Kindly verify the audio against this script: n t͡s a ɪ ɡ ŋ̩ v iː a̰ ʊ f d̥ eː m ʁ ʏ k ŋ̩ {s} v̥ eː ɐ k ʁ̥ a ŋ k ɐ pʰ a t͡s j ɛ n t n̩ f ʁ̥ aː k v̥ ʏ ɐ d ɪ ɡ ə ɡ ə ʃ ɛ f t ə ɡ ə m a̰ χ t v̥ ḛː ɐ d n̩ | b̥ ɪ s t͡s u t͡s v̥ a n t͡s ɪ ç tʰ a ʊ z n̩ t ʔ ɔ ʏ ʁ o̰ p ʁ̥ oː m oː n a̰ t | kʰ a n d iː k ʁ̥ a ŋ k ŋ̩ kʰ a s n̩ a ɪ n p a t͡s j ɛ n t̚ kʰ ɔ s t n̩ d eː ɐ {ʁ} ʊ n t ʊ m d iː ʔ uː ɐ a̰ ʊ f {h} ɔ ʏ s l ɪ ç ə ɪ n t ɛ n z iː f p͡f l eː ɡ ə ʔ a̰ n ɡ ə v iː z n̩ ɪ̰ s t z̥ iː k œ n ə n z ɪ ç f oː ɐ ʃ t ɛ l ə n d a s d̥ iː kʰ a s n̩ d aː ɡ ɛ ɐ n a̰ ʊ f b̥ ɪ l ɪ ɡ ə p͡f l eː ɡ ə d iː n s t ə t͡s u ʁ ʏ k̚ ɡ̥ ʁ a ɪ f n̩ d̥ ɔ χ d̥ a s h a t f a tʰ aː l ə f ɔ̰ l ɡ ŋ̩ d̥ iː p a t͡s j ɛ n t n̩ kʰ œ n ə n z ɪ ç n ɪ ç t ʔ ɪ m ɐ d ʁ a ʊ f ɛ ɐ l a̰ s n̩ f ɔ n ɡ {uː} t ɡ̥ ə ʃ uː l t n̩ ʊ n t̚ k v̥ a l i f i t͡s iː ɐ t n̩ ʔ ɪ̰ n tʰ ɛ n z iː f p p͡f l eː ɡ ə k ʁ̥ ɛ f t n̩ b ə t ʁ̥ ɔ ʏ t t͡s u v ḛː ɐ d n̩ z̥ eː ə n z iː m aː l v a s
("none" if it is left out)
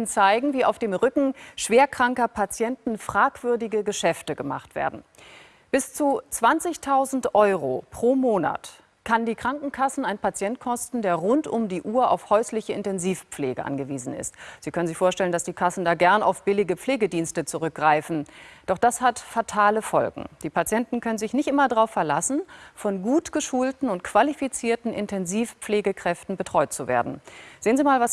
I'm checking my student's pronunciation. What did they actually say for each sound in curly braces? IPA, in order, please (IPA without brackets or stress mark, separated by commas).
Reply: ʃ, ʁ, h, uː